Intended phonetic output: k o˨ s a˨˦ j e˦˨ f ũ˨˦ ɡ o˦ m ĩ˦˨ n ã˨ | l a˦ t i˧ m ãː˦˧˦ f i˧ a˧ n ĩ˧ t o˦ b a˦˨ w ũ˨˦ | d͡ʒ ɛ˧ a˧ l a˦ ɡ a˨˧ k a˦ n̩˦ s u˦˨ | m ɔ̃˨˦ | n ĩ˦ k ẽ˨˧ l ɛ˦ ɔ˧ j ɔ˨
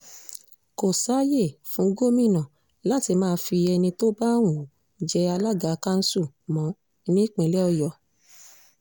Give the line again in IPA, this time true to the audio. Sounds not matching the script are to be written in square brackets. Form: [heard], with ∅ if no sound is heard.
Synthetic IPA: k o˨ s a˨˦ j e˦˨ f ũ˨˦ ɡ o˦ m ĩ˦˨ n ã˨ | l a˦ t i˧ m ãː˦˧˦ f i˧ [ɛ˧] n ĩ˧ t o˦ b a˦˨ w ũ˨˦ | d͡ʒ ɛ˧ a˧ l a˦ ɡ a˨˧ k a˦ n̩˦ s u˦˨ | m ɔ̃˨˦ | n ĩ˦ [k͡p] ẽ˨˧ l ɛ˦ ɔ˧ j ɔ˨